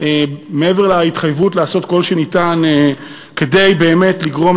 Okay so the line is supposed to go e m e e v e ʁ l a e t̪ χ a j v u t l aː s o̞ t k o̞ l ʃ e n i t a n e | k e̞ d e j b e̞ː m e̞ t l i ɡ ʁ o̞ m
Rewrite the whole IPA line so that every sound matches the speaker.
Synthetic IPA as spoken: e m e e v e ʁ l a i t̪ χ a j v u t l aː s o̞ t k o̞ l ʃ e n i t a n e | k e̞ d e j b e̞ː m e̞ t l i ɡ ʁ o̞ m

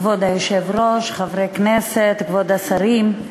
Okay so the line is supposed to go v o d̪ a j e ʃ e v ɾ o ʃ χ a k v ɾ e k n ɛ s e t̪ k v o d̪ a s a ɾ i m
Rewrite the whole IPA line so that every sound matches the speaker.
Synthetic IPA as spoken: v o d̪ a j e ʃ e v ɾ o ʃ χ a v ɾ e k n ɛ s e t̪ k v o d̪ a s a ɾ i m

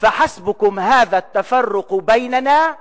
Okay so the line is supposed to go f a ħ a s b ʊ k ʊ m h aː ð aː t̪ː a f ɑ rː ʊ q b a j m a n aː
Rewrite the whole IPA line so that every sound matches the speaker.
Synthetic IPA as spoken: f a ħ a s b ʊ k ʊ m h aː ð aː t̪ː a f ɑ rː ʊ q b a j n a n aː

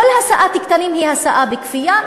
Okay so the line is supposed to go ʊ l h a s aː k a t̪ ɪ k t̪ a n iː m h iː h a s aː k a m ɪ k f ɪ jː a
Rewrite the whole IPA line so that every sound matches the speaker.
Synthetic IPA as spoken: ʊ l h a s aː ʔ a t̪ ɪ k t̪ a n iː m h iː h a s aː ʔ a b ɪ k f ɪ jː a

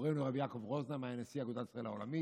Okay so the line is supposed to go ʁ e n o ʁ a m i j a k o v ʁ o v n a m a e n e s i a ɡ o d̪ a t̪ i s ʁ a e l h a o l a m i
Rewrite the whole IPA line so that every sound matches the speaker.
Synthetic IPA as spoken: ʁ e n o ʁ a b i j a k o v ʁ o z n a m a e n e s i a ɡ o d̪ a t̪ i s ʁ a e l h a o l a m i

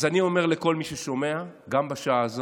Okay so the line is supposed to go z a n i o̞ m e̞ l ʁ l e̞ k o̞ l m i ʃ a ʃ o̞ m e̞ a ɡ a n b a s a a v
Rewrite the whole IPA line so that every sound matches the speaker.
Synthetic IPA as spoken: z a n i o̞ m e̞ ʁ l e̞ k o̞ l m i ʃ e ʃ o̞ m e̞ a ɡ a m b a ʃ a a z

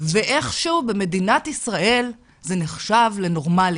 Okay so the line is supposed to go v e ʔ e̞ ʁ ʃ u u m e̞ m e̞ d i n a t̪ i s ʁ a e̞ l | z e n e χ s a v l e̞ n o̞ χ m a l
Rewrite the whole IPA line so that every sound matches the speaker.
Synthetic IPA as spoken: v e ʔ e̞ χ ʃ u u b e̞ m e̞ d i n a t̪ i s ʁ a e̞ l | z e n e χ ʃ a v l e̞ n o̞ ʁ m a l

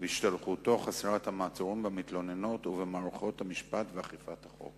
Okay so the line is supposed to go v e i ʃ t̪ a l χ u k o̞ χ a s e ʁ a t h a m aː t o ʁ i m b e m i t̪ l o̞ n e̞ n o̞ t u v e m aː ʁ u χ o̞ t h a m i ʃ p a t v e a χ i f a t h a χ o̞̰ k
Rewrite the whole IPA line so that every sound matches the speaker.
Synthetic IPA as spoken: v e i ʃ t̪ a l χ u t o̞ χ a s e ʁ a t h a m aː t͡s o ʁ i m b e m i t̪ l o̞ n e̞ n o̞ t u v e m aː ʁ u χ o̞ t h a m i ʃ p a t v e a χ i f a t h a χ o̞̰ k

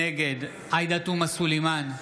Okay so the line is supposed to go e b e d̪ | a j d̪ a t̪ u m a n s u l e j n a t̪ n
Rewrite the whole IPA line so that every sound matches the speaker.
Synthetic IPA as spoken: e ɡ e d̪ | a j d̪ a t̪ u m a s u l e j m a n

